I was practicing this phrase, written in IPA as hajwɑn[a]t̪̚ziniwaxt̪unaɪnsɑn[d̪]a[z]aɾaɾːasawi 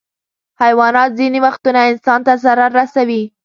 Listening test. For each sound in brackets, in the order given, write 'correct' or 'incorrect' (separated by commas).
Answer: incorrect, incorrect, correct